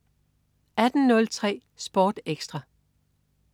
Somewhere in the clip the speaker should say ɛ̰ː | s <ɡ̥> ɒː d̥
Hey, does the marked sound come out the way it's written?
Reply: no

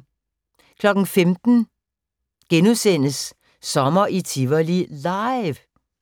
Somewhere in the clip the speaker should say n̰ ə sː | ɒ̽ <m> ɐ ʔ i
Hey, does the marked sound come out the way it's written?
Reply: yes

